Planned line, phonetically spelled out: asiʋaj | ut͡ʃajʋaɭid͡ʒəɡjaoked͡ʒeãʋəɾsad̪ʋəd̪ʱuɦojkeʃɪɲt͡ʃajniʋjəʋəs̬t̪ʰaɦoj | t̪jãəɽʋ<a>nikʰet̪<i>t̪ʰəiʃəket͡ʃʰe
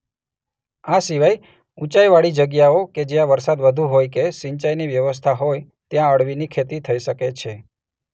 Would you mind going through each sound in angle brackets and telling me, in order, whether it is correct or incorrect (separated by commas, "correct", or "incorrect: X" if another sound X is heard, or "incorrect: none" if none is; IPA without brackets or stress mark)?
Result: incorrect: i, correct